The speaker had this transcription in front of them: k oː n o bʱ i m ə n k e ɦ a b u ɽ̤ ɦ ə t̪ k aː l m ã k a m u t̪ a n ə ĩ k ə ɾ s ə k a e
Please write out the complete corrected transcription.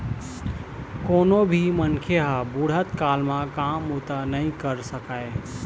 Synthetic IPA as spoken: k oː n o bʱ i m ə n kʰ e ɦ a b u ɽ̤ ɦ ə t̪ k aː l m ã k a m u t̪ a n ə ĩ k ə ɾ s ə k a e

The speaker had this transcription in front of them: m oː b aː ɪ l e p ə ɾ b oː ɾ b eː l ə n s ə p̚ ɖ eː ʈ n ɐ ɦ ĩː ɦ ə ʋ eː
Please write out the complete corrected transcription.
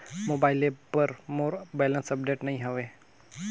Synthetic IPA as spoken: m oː b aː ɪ l e p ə ɾ m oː ɾ b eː l ə n s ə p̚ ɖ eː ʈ n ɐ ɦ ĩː ɦ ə ʋ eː

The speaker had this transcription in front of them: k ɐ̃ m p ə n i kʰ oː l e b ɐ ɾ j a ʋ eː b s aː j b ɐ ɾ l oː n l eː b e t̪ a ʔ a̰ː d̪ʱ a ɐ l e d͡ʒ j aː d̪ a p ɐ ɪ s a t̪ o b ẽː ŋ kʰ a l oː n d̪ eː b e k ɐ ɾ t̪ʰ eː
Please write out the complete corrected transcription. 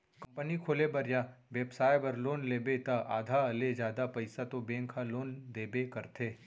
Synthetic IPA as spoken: k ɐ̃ m p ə n i kʰ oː l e b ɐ ɾ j a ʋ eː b s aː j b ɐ ɾ l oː n l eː b e t̪ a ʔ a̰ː d̪ʱ a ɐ l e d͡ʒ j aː d̪ a p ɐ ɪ s a t̪ o b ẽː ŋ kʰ a l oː n d̪ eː b e k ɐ ɾ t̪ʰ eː

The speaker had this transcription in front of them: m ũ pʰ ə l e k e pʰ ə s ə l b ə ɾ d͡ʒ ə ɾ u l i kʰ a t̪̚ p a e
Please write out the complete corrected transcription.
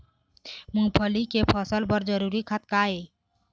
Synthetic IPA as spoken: m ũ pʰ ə l i k e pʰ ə s ə l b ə ɾ d͡ʒ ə ɾ u ɾ i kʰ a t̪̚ k a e

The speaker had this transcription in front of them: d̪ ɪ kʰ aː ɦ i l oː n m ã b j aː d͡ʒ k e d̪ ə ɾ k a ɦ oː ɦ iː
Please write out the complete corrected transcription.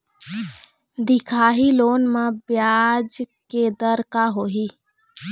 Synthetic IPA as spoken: d̪ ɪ kʰ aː ɦ i l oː n m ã b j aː d͡ʒ k e d̪ ə ɾ k a ɦ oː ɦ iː

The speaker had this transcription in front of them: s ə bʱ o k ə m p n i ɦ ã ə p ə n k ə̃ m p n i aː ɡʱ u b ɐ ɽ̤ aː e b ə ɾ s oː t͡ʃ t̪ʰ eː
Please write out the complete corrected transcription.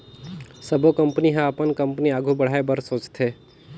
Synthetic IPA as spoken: s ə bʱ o k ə m p n i ɦ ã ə p ə n k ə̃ m p n i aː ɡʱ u b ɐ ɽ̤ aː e b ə ɾ s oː t͡ʃ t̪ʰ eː

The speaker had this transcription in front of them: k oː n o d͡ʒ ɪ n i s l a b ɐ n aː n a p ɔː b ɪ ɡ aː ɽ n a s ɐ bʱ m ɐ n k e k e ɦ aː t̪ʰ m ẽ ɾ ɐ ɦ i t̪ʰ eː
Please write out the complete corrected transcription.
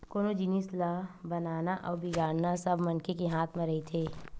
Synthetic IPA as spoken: k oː n o d͡ʒ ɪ n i s l a b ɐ n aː n a ʔ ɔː b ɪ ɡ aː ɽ n a s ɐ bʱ m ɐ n k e k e ɦ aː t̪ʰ m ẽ ɾ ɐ ɦ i t̪ʰ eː

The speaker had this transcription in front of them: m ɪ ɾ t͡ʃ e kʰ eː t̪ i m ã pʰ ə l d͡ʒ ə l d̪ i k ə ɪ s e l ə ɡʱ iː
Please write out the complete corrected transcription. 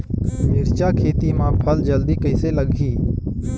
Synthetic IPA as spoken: m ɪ ɾ t͡ʃ a kʰ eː t̪ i m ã pʰ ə l d͡ʒ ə l d̪ i k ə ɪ s e l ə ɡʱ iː

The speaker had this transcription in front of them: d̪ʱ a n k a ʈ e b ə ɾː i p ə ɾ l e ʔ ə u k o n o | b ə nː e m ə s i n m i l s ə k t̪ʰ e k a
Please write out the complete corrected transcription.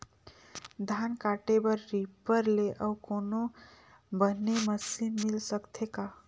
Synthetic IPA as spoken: d̪ʱ a n k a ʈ e b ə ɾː i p ə ɾ l e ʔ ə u k o n o | b ə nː e m ə s i n m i l s ə k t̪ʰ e k a

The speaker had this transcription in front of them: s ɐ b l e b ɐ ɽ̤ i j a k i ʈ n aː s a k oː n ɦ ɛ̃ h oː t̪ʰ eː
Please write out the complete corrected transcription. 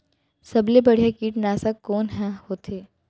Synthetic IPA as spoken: s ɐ b l e b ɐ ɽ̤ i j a k iː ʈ n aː s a k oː n ɦ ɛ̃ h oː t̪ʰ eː

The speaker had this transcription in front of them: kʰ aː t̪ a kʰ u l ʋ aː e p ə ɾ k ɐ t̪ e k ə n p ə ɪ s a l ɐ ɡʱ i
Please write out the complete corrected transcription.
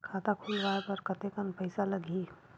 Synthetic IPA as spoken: kʰ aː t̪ a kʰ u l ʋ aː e p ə ɾ k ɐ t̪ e k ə n p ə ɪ s a l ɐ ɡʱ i

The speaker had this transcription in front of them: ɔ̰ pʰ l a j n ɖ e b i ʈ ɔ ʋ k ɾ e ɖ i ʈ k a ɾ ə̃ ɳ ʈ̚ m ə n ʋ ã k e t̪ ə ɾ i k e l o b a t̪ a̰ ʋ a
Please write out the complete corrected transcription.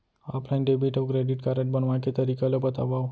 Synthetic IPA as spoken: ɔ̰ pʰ l a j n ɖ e b i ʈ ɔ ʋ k ɾ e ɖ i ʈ k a ɾ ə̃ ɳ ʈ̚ b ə n ʋ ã k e t̪ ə ɾ i k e l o b ə t̪ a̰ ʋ a

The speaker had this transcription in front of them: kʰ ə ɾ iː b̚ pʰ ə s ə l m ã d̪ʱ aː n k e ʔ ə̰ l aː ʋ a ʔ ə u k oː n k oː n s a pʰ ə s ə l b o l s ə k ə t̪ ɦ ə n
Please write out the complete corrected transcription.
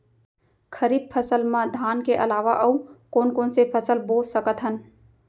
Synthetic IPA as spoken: kʰ ə ɾ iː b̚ pʰ ə s ə l m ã d̪ʱ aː n k e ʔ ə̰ l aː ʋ a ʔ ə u k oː n k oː n s e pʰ ə s ə l b o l s ə k ə t̪ ɦ ə n

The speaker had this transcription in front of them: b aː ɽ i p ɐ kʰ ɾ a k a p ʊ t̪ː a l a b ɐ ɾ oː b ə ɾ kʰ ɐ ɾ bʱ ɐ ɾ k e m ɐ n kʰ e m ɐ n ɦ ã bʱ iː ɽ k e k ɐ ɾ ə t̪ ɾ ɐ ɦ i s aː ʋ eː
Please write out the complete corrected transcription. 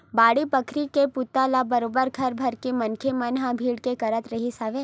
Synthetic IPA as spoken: b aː ɽ i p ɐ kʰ ɾ i k e p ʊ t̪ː a l a b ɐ ɾ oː b ə ɾ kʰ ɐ ɾ bʱ ɐ ɾ k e m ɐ n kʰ e m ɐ n ɦ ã bʱ iː ɽ k e k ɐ ɾ ə t̪ ɾ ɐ ɦ i s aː ʋ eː

